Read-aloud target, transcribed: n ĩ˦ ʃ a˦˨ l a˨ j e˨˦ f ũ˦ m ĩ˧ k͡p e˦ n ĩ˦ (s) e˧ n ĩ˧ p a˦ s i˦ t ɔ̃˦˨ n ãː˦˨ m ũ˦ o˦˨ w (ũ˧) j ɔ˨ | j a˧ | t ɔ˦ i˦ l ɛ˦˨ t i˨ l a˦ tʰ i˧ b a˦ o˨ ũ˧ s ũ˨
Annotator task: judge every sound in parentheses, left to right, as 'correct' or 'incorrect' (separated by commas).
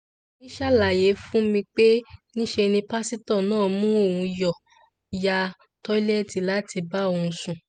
incorrect, correct